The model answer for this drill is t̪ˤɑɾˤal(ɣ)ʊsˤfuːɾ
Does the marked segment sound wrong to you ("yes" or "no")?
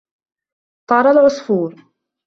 yes